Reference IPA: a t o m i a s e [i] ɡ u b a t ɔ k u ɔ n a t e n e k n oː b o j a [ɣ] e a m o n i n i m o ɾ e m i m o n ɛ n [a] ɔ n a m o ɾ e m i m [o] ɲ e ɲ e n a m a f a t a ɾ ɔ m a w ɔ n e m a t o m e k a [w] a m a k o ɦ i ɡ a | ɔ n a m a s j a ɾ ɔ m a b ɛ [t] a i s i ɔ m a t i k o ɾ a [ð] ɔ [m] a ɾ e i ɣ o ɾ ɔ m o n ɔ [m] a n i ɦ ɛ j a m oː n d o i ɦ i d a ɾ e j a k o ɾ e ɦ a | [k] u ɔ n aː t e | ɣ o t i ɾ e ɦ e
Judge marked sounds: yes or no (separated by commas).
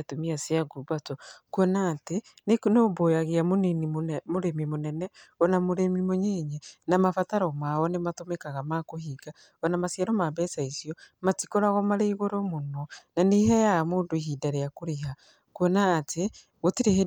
no, yes, no, yes, no, no, no, yes, no, yes